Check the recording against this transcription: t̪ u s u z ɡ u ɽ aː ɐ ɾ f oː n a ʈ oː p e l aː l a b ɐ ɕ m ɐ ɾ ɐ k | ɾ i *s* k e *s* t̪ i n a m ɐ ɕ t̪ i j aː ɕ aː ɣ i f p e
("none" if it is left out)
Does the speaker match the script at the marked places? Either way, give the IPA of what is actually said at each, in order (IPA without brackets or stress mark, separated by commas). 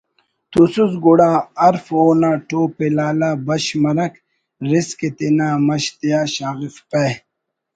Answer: s, none